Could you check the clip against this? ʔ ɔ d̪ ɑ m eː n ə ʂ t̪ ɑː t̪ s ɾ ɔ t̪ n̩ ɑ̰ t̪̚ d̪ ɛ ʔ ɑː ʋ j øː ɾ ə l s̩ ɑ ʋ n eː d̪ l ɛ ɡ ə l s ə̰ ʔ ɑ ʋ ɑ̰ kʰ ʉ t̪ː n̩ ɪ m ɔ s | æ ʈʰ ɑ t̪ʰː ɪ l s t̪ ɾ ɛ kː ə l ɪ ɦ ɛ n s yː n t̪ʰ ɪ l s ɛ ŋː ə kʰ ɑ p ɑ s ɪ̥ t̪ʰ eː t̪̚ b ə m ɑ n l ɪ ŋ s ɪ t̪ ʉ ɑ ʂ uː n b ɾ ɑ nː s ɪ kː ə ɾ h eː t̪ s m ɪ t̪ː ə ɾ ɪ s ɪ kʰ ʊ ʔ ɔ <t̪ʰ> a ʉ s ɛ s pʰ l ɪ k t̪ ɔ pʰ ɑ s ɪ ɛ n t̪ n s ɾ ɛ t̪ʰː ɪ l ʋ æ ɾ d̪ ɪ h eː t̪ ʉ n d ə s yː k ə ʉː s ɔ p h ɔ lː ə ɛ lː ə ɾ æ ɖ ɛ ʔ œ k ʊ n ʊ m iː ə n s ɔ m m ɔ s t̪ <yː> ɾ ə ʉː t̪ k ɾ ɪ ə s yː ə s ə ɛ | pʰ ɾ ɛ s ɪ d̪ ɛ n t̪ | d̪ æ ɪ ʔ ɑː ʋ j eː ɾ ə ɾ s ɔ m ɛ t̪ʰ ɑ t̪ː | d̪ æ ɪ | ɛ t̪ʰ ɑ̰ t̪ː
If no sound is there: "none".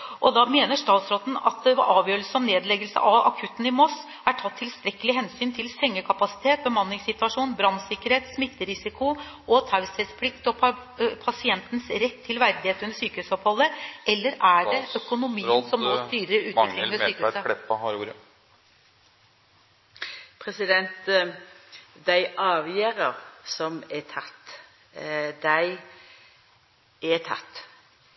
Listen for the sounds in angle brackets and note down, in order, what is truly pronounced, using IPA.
t̪ʰ, yː

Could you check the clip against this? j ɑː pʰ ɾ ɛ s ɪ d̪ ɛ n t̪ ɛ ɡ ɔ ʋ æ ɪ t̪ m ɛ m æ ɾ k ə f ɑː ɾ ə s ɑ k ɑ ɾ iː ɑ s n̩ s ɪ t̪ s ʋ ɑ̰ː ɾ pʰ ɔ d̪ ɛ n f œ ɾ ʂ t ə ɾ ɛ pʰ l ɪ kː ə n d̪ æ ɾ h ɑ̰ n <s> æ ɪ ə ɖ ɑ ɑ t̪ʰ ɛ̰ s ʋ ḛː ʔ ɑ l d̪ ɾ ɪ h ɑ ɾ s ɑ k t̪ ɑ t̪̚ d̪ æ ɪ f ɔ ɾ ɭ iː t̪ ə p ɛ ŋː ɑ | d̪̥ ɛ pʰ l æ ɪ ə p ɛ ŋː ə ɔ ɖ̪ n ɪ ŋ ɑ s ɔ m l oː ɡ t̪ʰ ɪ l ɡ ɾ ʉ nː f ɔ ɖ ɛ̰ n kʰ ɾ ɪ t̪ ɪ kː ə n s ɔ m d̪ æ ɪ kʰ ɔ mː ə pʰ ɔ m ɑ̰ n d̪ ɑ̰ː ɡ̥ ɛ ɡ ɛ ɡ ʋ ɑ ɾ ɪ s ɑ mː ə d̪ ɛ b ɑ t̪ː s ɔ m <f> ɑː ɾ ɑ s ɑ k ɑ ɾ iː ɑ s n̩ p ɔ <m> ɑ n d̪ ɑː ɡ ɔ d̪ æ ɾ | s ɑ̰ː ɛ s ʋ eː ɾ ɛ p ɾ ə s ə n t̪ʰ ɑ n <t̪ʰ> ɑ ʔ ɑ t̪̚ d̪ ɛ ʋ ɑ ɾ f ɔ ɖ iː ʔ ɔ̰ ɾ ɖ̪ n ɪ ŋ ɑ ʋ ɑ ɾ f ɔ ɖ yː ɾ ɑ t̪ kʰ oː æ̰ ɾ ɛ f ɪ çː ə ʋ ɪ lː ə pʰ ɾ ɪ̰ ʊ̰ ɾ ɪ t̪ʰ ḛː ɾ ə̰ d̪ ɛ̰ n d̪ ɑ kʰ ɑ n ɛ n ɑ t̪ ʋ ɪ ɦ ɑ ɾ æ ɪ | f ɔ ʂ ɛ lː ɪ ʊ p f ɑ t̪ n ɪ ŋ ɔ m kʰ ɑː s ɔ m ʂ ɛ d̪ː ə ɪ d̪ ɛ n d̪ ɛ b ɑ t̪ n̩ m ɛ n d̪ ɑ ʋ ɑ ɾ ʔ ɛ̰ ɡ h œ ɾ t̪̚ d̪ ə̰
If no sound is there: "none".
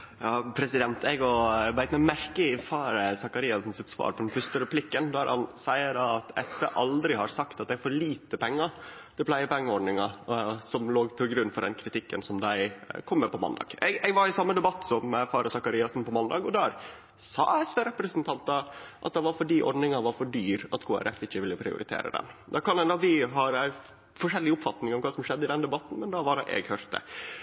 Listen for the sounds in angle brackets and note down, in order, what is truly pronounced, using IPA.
s, f, m, t̪

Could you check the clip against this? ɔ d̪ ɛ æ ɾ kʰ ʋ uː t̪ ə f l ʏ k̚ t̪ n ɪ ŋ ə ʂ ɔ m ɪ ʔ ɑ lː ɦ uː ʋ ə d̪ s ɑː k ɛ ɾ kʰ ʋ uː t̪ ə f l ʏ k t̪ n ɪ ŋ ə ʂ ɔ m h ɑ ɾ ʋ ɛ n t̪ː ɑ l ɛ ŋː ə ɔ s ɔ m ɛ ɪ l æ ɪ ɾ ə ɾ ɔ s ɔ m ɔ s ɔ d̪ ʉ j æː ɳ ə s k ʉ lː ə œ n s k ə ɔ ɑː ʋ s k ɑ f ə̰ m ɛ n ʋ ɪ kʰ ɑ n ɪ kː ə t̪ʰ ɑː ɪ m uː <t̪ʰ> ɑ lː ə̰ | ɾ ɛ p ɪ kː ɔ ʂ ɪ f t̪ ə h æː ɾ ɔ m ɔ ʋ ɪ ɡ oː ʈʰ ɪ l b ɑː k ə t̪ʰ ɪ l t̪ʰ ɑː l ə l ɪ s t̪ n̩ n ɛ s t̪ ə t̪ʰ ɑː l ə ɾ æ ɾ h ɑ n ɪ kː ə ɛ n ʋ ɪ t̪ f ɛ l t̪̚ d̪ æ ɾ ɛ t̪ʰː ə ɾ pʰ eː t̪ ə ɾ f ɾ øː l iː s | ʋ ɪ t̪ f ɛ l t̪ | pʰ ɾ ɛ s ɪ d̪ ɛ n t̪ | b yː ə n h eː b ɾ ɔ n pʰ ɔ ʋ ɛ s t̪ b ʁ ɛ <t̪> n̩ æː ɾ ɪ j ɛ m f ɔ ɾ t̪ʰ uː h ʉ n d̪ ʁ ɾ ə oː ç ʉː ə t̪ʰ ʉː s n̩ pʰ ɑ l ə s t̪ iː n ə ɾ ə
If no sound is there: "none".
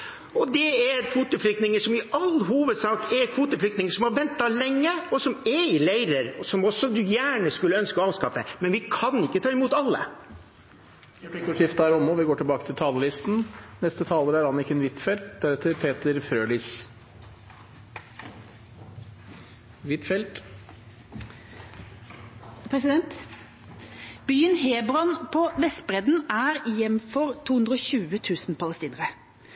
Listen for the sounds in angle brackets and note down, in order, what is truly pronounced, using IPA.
t̪, d̪

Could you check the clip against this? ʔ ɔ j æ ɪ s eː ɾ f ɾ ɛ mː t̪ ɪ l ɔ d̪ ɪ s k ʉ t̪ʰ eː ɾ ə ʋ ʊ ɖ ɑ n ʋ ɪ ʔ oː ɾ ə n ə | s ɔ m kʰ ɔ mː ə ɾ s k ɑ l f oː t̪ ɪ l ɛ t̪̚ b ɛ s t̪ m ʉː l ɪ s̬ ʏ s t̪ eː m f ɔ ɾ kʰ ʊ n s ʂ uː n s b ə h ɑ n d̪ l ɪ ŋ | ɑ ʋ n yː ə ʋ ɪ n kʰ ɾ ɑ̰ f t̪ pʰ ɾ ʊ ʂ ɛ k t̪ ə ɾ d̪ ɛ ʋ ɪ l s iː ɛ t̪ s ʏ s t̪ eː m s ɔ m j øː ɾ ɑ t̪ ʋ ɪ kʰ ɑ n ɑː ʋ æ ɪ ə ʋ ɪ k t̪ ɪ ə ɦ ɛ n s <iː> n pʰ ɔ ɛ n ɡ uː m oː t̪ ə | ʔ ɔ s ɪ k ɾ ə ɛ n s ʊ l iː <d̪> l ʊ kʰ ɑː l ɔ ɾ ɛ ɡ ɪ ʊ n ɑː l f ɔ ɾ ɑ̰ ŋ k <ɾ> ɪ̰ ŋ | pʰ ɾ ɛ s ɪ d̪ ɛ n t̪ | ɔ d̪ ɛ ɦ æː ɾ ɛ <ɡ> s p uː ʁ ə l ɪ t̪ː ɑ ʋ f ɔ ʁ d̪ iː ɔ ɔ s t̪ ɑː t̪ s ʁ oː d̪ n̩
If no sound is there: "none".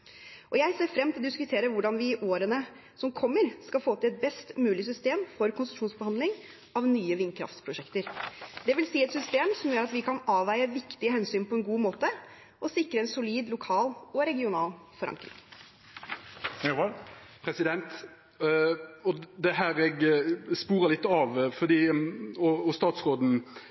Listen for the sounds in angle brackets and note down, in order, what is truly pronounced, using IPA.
yː, d̪, ɾ, ɡ

